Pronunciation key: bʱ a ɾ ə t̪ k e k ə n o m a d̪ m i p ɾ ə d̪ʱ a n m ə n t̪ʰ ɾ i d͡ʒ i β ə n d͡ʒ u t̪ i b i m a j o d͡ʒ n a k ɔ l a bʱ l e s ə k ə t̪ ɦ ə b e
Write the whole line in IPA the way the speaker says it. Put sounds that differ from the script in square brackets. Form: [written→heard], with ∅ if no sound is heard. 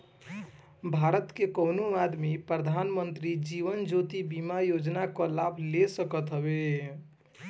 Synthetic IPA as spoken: bʱ a ɾ ə t̪ k e k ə n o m a d̪ m i p ɾ ə d̪ʱ a n m ə n [t̪ʰ→t̪] ɾ i d͡ʒ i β ə n d͡ʒ [u→o] t̪ i b i m a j o d͡ʒ n a k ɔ l a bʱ l e s ə k ə t̪ ɦ ə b e